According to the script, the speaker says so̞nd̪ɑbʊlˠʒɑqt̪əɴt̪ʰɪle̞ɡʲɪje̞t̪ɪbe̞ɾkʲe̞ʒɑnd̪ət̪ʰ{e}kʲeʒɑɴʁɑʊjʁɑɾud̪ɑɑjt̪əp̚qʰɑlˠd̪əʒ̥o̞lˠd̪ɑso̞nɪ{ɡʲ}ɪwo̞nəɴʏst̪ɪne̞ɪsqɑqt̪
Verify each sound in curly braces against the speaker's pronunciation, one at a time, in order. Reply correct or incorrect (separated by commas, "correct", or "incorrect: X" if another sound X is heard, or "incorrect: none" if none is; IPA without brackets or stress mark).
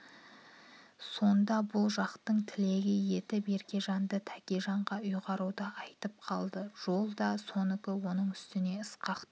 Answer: incorrect: æ, incorrect: kʲ